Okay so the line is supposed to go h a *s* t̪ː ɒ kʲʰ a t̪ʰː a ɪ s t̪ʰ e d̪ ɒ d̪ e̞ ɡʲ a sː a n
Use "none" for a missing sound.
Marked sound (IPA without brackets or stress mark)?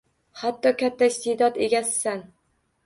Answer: none